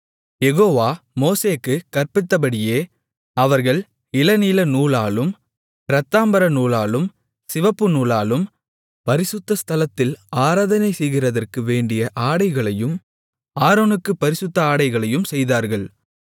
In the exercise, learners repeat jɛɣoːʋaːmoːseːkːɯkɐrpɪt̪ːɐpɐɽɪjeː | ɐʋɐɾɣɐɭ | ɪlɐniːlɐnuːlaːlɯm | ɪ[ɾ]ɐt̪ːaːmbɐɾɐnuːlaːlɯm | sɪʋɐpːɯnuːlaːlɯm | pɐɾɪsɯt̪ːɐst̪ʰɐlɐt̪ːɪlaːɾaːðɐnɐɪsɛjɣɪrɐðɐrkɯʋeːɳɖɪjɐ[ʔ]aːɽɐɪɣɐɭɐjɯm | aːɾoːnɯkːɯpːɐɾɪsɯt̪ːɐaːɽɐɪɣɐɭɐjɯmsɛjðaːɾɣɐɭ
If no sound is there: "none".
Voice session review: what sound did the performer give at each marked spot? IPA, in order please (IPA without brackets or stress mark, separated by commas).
ɾ, ʔ